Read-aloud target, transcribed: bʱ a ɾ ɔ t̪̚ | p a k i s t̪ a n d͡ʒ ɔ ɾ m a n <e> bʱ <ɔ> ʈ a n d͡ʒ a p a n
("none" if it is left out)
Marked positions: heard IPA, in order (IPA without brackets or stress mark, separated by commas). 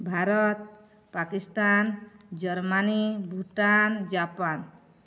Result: i, u